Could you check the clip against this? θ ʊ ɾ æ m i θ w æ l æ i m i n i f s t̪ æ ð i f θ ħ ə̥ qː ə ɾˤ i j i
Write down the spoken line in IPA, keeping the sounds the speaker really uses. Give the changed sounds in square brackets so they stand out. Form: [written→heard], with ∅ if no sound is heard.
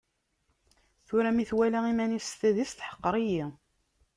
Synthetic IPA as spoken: θ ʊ ɾ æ m i θ w æ l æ i m [i→æ] n i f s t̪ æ ð i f θ ħ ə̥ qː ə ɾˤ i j i